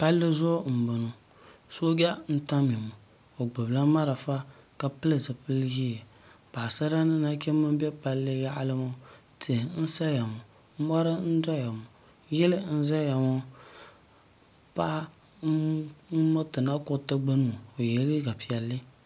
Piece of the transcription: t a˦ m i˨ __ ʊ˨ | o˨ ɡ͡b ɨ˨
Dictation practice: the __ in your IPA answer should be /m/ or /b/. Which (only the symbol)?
m